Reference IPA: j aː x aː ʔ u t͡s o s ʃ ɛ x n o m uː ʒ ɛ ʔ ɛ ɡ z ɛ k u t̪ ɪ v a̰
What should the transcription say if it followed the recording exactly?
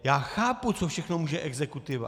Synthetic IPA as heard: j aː x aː p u t͡s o f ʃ ɛ x n o m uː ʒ ɛ ʔ ɛ ɡ z ɛ k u t̪ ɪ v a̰